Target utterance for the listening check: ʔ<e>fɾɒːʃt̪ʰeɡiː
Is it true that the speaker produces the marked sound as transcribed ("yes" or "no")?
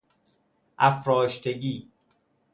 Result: no